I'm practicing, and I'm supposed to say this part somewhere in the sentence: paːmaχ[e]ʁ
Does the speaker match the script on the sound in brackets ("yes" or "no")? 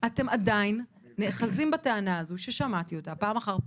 no